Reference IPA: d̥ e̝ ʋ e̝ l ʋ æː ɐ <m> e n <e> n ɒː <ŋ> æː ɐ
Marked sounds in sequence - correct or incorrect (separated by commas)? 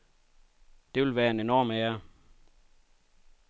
incorrect, correct, incorrect